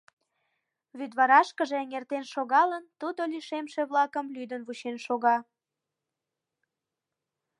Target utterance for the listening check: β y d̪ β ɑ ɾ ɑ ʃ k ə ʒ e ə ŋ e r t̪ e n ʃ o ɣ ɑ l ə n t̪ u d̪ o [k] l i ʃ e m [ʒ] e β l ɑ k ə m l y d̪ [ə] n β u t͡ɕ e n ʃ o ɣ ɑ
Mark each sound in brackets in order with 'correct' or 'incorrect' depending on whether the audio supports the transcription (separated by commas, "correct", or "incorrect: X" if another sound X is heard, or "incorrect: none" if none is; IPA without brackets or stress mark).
incorrect: none, incorrect: ʃ, correct